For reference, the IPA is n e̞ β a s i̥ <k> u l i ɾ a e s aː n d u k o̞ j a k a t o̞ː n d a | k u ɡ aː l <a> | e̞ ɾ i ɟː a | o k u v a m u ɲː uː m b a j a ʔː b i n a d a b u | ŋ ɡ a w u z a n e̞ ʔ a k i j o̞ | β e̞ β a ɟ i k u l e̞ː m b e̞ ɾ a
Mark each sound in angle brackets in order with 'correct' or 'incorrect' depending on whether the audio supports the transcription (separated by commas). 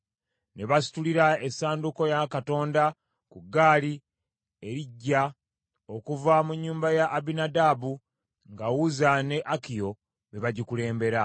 incorrect, incorrect